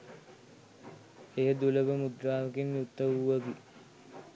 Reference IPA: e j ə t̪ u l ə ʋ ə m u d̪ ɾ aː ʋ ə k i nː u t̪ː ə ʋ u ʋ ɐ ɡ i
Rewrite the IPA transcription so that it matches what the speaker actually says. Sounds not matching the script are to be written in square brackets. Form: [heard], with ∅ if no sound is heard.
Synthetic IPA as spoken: e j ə [d̪] u l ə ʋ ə m u d̪ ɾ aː ʋ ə k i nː u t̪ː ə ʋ u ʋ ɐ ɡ i